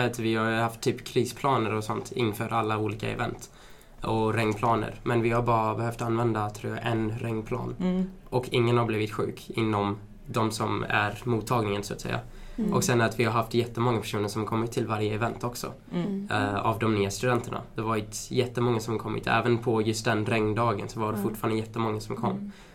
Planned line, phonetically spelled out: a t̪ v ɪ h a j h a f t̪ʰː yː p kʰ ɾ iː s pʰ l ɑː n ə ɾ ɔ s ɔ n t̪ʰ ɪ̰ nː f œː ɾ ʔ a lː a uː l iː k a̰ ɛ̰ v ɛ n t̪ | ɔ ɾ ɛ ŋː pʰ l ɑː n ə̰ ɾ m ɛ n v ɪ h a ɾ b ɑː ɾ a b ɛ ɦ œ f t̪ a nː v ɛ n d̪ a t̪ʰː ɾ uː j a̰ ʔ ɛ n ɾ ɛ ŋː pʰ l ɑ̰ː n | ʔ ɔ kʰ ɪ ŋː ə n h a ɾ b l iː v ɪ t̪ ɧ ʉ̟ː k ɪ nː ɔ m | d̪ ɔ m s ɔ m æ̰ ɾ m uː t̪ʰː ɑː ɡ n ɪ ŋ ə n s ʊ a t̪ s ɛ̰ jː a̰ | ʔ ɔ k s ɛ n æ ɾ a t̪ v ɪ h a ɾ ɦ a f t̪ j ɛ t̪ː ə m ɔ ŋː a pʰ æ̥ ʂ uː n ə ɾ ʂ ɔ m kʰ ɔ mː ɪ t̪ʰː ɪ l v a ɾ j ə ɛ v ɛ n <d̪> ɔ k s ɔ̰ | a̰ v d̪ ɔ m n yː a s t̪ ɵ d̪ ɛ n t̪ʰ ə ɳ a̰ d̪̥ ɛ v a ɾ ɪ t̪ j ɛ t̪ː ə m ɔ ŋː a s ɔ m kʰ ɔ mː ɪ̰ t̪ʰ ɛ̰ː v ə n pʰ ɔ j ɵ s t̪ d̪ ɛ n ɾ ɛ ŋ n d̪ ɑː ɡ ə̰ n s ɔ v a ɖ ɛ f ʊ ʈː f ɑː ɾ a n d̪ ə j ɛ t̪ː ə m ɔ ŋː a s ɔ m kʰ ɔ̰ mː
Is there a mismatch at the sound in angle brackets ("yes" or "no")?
yes